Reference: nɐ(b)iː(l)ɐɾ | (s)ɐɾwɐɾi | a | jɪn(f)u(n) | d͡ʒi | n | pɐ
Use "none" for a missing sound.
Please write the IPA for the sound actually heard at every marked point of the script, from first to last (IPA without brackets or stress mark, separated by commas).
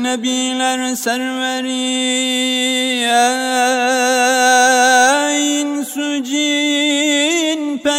b, l, s, s, none